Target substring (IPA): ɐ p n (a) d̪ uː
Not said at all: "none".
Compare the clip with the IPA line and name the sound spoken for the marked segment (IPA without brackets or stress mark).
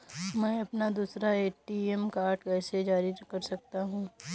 a